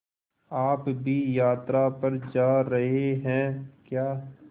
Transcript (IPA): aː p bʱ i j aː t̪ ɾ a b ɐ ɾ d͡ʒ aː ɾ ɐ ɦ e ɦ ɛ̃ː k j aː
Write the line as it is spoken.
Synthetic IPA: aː p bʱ i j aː t̪ ɾ a p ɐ ɾ d͡ʒ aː ɾ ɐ ɦ e ɦ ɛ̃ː k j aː

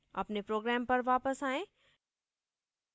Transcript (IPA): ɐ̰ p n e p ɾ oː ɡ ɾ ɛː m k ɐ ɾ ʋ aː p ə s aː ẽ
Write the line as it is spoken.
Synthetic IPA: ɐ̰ p n e p ɾ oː ɡ ɾ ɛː m p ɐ ɾ ʋ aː p ə s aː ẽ

